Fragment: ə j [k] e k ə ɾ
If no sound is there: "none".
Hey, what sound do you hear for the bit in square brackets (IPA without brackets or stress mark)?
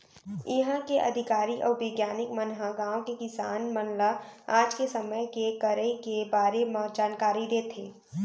k